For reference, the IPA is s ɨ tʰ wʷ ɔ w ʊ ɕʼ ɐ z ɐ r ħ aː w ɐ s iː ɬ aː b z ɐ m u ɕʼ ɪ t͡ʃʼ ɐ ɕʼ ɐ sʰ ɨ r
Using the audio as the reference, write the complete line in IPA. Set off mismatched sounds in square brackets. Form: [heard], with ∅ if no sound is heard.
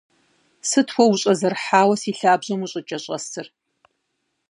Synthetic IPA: s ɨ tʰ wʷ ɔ w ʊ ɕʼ ɐ z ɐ r ħ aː w ɐ s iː ɬ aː b [ʑ] ɐ m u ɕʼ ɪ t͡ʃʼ ɐ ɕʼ ɐ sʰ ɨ r